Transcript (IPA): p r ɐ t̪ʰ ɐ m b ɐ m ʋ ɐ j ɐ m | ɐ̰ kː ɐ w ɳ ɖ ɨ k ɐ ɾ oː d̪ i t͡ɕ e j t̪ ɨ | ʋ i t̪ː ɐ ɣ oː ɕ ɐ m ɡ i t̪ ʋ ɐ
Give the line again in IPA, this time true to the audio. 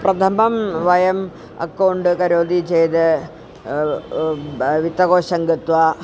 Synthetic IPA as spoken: p r ɐ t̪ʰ ɐ m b ɐ m ʋ ɐ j ɐ m | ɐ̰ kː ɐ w ɳ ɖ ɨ k ɐ ɾ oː d̪ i t͡ɕ e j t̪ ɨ | ʋ i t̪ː ɐ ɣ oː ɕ ɐ ŋ ɡ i t̪ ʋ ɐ